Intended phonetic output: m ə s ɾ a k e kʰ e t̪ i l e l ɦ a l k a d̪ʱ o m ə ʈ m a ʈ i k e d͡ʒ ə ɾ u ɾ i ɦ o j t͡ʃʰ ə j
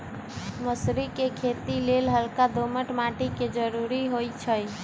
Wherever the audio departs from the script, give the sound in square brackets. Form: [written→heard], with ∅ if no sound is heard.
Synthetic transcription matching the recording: m ə s ɾ [a→i] k e kʰ e t̪ i l e l ɦ [a→ə] l k a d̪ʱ o m ə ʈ m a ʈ i k e d͡ʒ ə ɾ u ɾ i ɦ o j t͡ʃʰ ə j